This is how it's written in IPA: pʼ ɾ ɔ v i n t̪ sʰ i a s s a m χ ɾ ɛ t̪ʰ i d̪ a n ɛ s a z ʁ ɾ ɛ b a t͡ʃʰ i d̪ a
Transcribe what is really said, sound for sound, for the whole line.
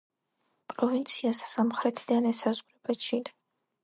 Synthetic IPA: pʼ ɾ ɔ v i n t̪ sʰ i a s s a m χ ɾ ɛ t̪ʰ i d̪ a n ɛ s a z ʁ ɾ ɛ b a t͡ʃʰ i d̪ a